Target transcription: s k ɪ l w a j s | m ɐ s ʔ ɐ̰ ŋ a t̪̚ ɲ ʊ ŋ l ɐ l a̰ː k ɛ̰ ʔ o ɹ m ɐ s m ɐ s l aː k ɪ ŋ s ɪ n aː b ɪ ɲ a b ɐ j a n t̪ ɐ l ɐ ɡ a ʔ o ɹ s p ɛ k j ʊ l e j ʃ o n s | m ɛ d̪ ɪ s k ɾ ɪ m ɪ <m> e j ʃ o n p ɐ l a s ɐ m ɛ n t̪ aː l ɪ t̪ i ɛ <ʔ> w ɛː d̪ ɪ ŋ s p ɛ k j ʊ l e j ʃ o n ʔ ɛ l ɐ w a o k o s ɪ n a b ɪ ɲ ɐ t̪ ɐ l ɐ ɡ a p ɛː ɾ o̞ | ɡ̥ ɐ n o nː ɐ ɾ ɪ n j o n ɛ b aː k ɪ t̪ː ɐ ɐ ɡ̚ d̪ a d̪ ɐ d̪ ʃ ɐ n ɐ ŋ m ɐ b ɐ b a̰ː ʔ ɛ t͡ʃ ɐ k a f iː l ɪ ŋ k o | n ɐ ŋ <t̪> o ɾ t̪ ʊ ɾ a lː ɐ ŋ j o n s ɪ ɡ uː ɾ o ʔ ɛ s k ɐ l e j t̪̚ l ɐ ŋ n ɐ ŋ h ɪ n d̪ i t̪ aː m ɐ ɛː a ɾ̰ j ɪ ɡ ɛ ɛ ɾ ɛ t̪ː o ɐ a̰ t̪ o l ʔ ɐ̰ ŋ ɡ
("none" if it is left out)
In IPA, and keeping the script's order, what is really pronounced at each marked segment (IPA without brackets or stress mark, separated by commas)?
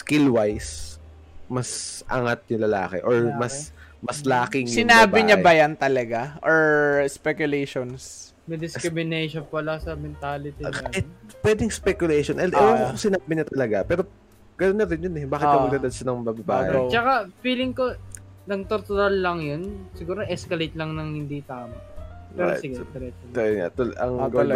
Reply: n, p, t̪